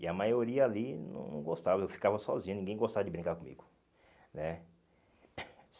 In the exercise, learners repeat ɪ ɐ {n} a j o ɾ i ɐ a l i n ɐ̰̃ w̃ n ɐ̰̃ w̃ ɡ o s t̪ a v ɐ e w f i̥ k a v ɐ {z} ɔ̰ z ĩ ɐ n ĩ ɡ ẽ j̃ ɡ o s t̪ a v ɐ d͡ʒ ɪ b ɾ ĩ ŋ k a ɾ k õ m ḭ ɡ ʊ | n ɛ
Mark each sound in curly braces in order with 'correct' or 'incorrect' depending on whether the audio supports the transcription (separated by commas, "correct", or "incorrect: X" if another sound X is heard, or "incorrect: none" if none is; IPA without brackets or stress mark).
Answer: incorrect: m, incorrect: s